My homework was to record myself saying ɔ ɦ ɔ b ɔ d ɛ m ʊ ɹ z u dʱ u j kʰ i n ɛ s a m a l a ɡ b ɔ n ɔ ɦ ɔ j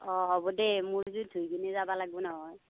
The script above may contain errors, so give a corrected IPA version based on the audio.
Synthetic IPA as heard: ɔ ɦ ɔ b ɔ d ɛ m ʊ ɹ z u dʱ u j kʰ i n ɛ z a b a l a ɡ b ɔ n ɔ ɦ ɔ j